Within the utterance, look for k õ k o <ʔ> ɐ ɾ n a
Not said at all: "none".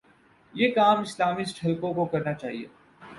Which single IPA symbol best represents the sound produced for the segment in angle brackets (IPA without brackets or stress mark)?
k